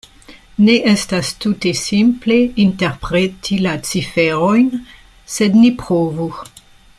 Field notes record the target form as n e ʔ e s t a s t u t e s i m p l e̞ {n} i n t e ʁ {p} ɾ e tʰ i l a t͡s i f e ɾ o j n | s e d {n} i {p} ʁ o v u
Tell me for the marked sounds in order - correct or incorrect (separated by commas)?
incorrect, correct, correct, correct